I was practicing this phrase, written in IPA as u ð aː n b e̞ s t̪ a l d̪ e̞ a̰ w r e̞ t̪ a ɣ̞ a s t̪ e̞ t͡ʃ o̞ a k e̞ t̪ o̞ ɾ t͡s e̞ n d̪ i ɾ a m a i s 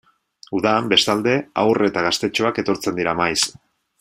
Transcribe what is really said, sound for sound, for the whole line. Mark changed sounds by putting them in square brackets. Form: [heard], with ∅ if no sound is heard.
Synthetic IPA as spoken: u ð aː [m] b e̞ s t̪ a l d̪ e̞ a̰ w r e̞ t̪ a ɣ̞ a s t̪ e̞ t͡ʃ o̞ a k e̞ t̪ o̞ ɾ t͡s e̞ n d̪ i ɾ a m a [j] s